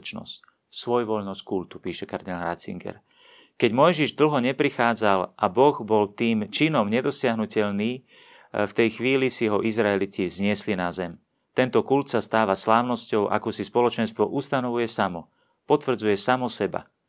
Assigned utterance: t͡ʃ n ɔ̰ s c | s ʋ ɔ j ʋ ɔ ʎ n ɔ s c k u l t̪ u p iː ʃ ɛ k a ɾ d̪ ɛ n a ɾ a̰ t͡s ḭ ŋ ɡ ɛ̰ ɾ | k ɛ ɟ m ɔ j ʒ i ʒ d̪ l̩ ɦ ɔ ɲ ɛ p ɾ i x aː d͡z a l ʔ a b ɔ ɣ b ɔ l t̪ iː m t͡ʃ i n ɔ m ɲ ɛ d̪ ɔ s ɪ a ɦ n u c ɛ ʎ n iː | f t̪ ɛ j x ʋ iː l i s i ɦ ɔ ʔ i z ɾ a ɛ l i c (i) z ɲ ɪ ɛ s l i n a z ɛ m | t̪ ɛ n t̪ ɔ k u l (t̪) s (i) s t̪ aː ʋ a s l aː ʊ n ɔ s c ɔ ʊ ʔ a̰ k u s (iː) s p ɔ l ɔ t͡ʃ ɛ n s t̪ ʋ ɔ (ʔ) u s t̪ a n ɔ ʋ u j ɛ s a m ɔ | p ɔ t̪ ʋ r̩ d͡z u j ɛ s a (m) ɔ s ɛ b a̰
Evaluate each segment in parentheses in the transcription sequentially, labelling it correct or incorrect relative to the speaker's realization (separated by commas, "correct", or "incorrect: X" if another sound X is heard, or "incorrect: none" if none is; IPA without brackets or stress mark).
correct, correct, incorrect: a, incorrect: i, correct, correct